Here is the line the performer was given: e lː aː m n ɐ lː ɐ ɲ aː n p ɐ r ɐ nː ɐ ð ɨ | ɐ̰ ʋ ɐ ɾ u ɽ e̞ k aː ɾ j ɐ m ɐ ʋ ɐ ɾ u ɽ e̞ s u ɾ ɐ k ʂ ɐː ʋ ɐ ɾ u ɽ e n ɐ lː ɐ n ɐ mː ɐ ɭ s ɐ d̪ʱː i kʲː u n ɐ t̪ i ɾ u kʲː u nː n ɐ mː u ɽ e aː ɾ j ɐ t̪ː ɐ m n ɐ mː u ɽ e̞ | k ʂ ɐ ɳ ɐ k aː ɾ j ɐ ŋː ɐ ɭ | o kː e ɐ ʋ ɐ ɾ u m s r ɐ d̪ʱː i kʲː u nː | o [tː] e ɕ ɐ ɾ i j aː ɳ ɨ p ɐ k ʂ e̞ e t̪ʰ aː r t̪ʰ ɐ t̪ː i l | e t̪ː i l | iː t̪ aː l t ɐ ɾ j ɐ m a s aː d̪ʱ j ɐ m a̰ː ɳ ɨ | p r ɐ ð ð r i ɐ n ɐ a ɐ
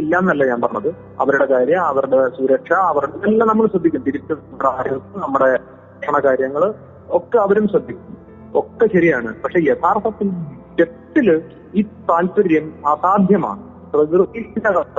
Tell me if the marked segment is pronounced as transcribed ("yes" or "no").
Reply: no